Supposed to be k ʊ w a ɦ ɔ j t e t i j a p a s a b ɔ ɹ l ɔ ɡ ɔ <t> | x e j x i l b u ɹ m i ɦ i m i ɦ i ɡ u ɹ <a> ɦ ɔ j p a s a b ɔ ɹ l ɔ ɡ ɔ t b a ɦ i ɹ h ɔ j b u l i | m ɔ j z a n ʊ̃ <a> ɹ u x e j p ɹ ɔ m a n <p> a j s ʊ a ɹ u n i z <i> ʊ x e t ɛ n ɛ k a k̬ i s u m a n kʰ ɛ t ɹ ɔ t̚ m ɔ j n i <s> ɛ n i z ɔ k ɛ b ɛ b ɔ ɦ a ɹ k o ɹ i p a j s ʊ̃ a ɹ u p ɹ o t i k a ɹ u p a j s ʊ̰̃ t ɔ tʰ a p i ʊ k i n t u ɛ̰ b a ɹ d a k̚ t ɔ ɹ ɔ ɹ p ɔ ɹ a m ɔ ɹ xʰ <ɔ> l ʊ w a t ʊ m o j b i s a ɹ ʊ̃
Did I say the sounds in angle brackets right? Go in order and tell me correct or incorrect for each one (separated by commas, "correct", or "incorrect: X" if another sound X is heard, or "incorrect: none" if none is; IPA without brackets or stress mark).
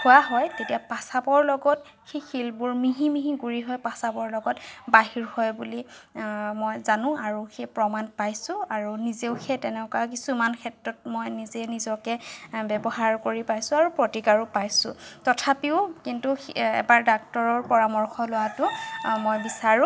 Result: correct, incorrect: i, correct, correct, incorrect: e, incorrect: z, correct